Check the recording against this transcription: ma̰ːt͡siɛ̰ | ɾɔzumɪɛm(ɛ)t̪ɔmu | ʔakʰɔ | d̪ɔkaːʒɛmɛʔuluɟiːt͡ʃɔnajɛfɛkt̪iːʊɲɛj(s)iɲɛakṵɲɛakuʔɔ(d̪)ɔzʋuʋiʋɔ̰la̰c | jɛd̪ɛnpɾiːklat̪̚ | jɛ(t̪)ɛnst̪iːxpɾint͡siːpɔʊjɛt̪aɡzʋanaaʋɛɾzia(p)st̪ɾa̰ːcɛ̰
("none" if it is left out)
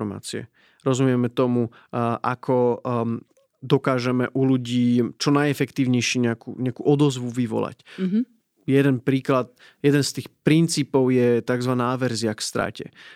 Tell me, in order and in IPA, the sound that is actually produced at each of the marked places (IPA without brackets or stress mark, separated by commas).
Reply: ɛ, ʃ, d̪, d̪, k